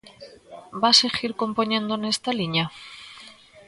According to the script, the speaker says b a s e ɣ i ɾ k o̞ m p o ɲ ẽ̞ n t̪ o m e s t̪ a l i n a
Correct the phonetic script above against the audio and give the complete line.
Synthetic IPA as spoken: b a s e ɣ i ɾ k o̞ m p o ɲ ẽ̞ n d̪ o n e s t̪ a l i ɲ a